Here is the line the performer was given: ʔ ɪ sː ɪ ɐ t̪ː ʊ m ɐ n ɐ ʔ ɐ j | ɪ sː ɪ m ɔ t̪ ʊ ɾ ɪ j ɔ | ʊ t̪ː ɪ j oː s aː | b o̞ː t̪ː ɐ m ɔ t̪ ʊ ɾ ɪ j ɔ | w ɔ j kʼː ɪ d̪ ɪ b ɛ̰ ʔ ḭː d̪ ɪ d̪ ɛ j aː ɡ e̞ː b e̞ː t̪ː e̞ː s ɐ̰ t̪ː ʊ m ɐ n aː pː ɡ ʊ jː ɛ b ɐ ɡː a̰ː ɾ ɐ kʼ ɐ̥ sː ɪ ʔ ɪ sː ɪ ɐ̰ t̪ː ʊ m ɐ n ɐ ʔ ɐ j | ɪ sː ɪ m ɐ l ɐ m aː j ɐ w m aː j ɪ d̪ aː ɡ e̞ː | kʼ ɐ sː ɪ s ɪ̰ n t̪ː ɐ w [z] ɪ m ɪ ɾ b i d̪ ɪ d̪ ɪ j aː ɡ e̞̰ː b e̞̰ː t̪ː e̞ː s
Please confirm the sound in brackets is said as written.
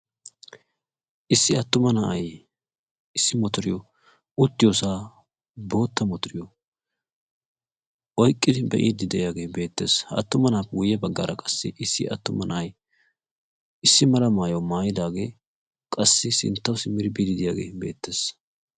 no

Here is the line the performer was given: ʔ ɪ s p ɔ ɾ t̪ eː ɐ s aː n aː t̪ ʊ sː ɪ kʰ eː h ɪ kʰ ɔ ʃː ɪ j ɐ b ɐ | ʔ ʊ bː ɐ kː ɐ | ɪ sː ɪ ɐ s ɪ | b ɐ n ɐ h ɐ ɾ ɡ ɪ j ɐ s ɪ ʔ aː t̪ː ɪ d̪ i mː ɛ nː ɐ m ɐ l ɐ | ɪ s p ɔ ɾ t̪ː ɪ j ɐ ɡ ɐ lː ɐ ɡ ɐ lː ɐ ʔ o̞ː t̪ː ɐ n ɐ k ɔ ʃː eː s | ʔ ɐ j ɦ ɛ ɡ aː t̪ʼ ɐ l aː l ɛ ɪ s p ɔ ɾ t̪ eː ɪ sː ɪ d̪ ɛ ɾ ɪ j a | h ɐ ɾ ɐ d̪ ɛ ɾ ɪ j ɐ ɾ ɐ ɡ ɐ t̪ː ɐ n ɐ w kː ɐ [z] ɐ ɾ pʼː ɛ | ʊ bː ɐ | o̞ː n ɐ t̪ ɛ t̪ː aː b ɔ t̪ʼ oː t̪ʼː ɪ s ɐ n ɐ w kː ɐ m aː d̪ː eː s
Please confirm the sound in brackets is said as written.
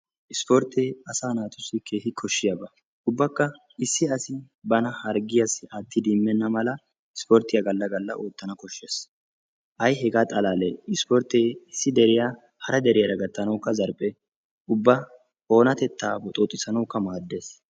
yes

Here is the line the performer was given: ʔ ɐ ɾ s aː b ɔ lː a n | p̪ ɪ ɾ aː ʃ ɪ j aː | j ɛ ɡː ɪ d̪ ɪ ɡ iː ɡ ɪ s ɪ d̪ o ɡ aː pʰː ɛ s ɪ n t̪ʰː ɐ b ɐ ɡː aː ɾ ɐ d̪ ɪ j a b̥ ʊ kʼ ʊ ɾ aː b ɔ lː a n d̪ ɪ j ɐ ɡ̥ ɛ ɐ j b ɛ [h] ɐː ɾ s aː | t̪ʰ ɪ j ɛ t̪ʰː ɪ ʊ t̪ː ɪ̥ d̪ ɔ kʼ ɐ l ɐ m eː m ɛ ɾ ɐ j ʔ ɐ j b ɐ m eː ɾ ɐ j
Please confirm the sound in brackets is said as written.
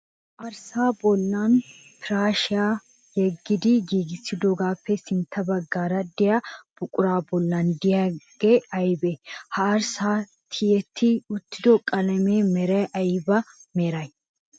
yes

